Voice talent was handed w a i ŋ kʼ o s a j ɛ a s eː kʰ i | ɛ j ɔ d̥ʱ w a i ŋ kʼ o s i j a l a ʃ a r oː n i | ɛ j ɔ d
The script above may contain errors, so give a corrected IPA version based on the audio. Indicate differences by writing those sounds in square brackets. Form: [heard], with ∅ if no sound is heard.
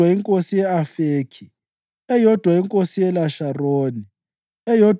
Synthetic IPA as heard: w a i ŋ kʼ o s [i] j ɛ a [f] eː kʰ i | ɛ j ɔ d̥ʱ w a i ŋ kʼ o s i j [ɛ] l a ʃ a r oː n i | ɛ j ɔ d